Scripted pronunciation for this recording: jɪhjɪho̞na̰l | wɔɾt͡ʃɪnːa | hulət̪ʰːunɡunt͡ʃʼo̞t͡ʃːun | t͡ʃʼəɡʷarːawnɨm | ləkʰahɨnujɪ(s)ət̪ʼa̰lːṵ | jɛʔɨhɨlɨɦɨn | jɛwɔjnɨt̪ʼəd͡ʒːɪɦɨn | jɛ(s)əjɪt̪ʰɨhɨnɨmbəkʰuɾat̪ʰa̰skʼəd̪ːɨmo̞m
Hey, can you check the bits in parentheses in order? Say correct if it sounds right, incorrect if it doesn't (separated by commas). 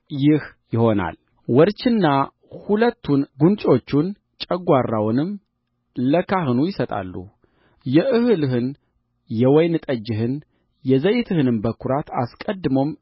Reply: correct, incorrect